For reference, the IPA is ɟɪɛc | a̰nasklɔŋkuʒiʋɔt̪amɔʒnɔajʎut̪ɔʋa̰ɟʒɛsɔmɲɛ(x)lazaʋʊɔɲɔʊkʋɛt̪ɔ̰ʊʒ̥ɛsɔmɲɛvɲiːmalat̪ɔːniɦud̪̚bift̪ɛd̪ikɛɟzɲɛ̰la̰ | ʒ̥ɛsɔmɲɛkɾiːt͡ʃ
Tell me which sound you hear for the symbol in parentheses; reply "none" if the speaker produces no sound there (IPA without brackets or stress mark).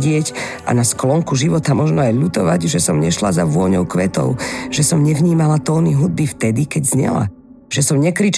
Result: ʃ